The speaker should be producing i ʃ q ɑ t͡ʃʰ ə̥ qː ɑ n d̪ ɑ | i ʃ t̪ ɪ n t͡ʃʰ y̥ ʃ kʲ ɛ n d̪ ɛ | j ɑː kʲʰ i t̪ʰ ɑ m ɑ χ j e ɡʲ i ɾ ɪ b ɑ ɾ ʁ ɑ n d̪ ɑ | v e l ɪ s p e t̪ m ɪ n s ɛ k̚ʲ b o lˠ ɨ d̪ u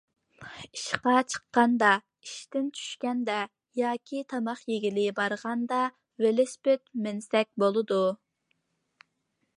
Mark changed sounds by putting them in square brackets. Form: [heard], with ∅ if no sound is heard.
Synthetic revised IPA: i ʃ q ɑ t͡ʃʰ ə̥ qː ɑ n d̪ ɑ | i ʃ t̪ ɪ n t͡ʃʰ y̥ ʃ kʲ ɛ n d̪ ɛ | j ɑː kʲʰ i t̪ʰ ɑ m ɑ χ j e ɡʲ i [l] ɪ b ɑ ɾ ʁ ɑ n d̪ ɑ | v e l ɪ s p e t̪ m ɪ n s ɛ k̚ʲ b o lˠ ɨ d̪ u